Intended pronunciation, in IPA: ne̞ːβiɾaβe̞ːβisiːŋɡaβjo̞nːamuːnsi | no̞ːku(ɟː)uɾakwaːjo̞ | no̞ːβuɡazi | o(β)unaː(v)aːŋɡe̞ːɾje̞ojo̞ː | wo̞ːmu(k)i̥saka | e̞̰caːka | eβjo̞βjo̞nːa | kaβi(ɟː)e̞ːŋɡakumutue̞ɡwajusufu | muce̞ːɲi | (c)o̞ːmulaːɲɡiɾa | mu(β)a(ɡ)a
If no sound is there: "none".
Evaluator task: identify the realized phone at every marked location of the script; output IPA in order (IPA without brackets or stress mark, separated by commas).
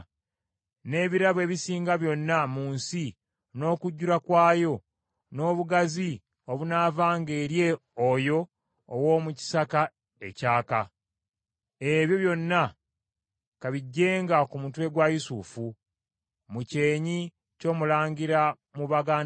ɟː, β, v, c, ɟː, c, β, ɡ